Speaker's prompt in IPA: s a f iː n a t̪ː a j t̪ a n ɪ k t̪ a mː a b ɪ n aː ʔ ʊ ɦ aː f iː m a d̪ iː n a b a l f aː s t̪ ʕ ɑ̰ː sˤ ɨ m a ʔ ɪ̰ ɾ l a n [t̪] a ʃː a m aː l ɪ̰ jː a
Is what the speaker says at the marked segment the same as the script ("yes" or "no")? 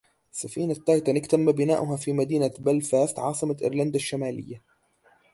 no